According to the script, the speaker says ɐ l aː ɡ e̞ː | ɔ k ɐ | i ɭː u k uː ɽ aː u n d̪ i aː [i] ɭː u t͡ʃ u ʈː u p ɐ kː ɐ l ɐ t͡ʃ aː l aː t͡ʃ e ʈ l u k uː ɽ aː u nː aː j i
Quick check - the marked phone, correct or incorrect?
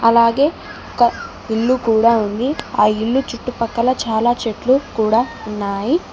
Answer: correct